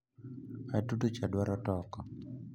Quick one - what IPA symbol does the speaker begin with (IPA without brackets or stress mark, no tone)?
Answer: a